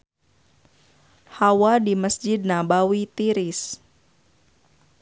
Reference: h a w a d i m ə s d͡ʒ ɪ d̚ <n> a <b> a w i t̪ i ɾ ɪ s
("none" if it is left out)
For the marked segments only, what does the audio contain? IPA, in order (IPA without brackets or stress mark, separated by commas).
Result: n, b